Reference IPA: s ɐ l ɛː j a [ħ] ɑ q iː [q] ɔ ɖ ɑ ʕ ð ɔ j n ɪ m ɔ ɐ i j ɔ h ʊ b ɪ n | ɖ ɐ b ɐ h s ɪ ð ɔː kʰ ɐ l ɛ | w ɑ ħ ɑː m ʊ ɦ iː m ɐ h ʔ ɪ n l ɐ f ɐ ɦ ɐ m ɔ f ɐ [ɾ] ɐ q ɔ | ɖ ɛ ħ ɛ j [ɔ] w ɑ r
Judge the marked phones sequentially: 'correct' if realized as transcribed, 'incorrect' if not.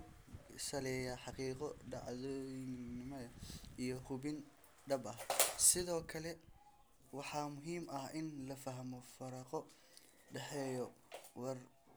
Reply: correct, correct, correct, correct

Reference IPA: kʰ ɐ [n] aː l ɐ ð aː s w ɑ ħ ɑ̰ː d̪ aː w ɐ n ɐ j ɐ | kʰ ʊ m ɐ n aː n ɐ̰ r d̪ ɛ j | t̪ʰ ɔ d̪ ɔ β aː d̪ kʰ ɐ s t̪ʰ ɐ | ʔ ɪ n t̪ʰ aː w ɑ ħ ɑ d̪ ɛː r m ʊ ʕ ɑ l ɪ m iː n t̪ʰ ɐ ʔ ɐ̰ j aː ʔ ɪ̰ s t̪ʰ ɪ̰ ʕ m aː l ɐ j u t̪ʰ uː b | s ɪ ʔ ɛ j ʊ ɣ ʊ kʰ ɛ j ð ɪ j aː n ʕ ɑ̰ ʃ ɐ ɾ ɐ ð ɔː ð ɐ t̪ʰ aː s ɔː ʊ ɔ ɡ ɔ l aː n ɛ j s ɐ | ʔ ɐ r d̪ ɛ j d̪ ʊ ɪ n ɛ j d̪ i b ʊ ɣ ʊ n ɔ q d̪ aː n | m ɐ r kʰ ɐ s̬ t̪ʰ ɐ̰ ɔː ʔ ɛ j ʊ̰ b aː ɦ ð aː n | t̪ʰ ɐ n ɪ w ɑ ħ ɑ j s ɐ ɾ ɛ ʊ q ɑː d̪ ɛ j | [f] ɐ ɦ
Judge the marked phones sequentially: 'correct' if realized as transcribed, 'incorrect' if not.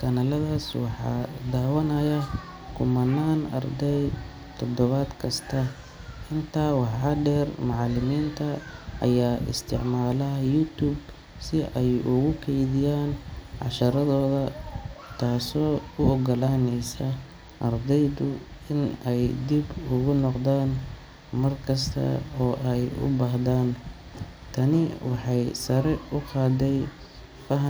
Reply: correct, correct

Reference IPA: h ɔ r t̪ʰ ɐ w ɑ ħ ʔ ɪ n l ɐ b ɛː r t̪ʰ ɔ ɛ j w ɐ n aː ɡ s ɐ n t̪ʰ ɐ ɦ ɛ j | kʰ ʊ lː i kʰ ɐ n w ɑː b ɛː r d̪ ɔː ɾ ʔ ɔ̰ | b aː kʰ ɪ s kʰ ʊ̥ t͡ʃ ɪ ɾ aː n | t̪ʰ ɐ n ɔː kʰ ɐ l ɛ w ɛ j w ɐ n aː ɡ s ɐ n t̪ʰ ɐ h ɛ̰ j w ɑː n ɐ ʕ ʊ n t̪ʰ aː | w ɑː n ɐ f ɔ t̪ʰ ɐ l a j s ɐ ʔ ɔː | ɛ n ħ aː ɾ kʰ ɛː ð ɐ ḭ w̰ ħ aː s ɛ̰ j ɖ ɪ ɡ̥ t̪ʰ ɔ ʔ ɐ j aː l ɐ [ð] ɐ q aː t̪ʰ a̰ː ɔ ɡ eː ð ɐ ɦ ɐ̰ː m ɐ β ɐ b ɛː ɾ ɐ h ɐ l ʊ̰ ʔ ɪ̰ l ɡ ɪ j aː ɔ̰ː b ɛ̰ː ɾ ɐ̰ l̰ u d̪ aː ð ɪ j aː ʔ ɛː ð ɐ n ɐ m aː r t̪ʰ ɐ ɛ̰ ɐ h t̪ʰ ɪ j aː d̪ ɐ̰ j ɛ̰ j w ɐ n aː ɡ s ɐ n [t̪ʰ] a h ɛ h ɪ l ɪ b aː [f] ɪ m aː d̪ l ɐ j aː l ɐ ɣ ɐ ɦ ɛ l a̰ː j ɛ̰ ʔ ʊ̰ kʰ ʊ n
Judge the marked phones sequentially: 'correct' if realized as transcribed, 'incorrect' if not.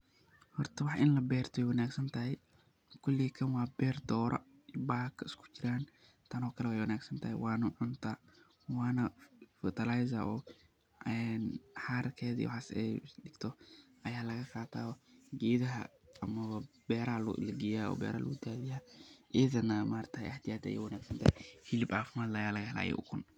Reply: incorrect, incorrect, correct

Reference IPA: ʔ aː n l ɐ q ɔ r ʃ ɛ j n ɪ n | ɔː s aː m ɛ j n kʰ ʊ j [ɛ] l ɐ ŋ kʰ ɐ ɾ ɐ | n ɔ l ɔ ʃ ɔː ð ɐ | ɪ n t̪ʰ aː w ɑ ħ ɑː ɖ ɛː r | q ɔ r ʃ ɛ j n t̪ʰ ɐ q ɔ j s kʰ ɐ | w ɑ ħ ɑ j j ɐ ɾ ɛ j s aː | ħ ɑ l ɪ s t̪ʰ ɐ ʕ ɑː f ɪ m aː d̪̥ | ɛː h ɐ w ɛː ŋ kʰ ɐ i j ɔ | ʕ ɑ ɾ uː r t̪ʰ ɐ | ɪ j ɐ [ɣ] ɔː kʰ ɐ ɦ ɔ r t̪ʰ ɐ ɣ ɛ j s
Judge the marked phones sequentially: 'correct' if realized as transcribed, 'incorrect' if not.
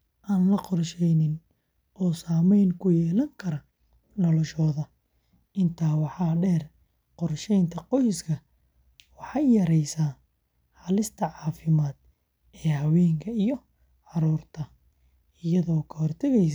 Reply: incorrect, incorrect

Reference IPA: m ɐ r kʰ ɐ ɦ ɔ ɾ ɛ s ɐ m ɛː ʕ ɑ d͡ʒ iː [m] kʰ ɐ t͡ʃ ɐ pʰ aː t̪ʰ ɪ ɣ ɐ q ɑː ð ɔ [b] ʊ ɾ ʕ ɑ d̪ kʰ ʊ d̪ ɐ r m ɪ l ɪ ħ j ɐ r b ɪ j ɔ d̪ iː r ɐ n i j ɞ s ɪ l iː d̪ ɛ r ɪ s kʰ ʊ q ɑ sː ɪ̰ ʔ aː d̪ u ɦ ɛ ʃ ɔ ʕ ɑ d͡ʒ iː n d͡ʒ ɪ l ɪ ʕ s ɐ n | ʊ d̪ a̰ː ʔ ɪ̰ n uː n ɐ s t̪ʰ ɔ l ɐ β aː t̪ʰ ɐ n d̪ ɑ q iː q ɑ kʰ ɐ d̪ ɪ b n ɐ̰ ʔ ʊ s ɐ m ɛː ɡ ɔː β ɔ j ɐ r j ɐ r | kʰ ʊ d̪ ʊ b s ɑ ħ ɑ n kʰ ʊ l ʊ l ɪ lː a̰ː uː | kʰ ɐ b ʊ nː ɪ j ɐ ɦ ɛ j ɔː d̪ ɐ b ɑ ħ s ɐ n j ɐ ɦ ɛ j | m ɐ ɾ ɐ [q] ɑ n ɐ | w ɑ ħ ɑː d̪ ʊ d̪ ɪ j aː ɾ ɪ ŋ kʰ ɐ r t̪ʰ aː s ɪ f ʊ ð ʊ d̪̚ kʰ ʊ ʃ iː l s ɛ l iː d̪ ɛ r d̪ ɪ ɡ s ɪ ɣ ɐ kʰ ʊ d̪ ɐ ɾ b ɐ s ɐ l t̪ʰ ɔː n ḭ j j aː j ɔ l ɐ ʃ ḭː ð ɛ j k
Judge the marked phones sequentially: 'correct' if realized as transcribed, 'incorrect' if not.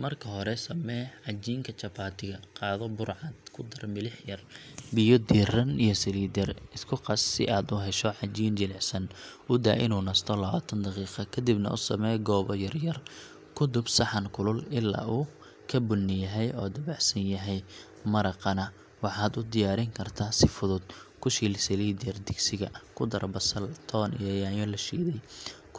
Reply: incorrect, correct, correct

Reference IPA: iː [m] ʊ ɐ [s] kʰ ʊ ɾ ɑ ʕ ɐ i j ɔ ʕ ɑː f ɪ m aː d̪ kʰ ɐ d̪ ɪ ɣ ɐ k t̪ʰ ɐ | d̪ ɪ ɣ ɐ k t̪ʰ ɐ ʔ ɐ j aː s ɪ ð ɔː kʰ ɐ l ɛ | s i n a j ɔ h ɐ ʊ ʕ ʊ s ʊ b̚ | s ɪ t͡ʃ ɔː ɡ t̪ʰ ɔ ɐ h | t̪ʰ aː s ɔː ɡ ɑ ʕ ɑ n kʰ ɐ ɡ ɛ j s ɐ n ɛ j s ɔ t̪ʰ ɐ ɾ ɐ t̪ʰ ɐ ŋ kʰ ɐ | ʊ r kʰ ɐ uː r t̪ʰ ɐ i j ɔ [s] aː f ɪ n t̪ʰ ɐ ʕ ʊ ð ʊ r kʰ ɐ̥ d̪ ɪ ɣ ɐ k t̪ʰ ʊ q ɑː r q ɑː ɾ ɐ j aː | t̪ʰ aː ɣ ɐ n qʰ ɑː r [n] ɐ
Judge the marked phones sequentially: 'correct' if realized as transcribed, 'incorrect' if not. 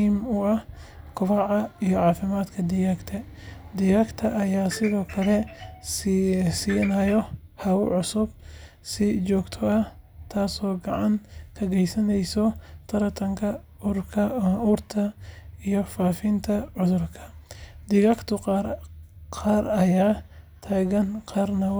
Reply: correct, incorrect, incorrect, correct

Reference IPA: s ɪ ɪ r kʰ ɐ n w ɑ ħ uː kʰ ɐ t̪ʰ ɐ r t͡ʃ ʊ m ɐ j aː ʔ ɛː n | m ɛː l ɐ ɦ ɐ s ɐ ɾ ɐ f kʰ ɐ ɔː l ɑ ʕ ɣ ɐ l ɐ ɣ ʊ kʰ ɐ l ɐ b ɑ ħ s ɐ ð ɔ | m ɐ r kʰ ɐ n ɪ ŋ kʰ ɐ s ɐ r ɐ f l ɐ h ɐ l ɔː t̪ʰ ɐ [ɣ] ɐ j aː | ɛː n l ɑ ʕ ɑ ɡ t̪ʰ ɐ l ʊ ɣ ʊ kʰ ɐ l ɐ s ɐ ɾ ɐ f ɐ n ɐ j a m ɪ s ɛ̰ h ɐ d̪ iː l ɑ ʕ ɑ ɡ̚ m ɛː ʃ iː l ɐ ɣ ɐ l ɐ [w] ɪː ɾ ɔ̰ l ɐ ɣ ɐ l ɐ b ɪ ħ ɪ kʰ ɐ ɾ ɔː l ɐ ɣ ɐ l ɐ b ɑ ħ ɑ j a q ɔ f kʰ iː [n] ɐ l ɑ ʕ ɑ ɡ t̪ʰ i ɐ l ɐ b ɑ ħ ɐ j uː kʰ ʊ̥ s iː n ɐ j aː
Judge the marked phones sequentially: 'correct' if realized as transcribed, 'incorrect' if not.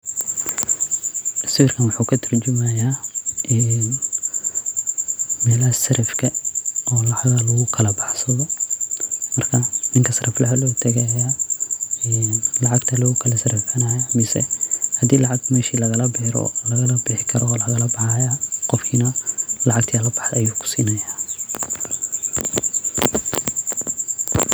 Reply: correct, incorrect, correct

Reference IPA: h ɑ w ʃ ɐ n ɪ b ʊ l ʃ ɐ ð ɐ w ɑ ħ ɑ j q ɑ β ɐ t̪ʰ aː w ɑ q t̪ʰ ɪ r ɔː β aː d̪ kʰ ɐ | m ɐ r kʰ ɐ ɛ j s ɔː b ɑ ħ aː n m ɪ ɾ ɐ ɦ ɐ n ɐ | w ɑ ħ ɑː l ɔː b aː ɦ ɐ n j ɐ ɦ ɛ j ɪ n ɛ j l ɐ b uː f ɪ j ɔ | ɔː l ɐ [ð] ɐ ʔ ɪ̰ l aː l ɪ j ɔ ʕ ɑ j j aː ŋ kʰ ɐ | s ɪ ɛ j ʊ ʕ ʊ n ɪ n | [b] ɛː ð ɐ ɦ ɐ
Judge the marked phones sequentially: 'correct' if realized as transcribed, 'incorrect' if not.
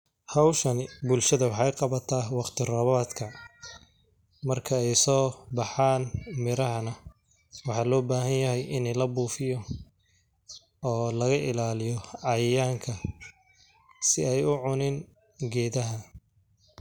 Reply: incorrect, incorrect

